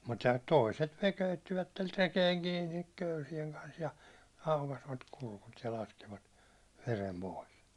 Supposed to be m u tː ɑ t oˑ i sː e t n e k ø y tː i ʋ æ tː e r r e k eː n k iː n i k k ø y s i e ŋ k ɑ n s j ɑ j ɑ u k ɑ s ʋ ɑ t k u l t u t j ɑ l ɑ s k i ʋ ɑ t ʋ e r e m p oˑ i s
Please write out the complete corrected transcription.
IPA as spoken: m u tː ɑ t oˑ i s e t n e k ø y tː i ʋ æ tː e r r e k eː ŋ k iː n i k k ø y s i e ŋ k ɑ n s j ɑ ɑ u k ɑ s ʋ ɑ t k u l k u t j ɑ l ɑ s k i ʋ ɑ t ʋ e r e m p oˑ i s